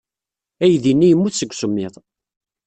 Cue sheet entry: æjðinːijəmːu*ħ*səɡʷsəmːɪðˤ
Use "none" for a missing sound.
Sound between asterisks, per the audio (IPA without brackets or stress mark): θ